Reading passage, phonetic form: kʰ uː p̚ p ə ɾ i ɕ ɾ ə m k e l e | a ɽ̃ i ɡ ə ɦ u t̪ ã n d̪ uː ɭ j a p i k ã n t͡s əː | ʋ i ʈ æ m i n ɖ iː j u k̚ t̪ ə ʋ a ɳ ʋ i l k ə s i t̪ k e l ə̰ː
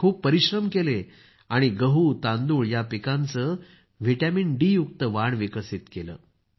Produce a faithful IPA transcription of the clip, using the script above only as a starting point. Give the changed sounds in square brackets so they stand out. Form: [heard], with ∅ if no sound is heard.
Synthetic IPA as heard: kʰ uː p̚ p ə ɾ i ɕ ɾ ə m k e l e | a ɽ̃ i ɡ ə ɦ u t̪ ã n d̪ uː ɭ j a p i k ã n t͡s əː | ʋ i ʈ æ m i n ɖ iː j u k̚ t̪ ə ʋ a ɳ ʋ i [∅] k ə s i t̪ k e l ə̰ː